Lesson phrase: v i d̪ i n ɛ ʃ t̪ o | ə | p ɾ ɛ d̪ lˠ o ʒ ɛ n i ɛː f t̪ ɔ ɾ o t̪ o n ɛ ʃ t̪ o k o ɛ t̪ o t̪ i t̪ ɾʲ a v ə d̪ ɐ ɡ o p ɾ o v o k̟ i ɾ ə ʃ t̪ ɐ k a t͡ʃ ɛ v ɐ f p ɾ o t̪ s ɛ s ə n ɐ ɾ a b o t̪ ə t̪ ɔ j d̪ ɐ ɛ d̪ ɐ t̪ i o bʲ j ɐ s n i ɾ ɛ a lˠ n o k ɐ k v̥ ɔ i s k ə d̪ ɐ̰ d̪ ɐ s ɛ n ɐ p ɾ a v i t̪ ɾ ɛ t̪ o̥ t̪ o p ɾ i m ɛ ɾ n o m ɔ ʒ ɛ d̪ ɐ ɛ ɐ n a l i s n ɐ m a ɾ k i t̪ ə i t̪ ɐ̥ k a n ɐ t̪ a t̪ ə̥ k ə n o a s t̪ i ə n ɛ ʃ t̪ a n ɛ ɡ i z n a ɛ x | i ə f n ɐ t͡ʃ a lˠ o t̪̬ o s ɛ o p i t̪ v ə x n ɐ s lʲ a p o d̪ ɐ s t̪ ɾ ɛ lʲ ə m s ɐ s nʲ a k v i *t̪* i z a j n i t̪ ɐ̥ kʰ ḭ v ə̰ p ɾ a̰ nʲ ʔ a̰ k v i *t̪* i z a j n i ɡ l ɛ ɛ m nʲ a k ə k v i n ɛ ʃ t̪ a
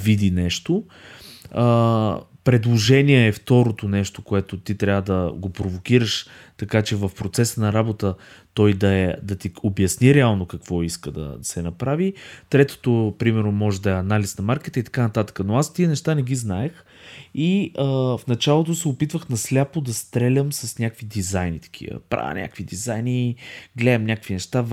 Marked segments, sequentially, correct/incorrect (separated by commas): incorrect, incorrect